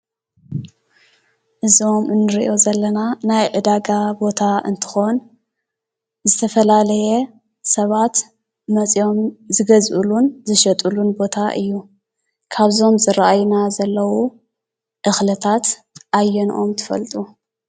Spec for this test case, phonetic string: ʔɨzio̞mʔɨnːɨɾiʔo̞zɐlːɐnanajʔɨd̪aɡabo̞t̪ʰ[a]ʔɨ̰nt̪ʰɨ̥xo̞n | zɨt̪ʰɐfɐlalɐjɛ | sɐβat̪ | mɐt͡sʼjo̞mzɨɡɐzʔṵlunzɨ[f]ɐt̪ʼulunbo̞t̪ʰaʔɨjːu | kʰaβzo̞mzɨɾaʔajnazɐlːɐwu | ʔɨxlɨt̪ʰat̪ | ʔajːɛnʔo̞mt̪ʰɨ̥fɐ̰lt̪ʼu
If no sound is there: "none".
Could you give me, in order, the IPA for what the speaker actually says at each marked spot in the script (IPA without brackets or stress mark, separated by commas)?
a, ʃ